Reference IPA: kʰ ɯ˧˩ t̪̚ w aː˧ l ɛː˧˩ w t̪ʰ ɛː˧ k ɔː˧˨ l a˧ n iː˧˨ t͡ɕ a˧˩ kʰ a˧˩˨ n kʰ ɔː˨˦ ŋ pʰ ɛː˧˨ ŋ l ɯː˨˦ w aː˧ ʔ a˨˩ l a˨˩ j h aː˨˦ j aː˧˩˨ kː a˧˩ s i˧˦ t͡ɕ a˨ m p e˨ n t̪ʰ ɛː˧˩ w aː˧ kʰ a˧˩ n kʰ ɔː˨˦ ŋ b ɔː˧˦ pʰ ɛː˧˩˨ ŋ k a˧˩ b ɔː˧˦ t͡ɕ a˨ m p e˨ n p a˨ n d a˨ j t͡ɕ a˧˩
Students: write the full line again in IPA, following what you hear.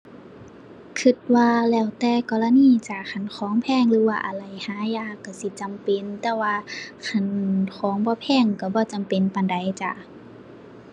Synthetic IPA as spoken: kʰ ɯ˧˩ t̪̚ w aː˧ l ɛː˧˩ w t̪ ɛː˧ k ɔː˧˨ l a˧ n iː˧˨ t͡ɕ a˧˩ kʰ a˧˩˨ n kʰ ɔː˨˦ ŋ pʰ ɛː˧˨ ŋ l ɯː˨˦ w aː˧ ʔ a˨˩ l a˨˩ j h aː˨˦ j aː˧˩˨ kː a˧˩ s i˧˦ t͡ɕ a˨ m p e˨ n t̪ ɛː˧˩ w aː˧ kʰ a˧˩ n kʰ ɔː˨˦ ŋ b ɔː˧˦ pʰ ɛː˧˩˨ ŋ k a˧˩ b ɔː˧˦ t͡ɕ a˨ m p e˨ n p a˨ n d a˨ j t͡ɕ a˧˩